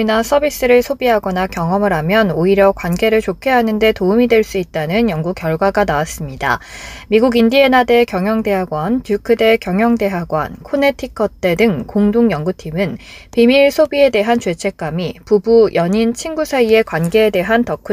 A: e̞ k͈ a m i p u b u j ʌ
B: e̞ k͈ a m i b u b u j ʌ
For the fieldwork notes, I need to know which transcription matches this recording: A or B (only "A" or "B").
A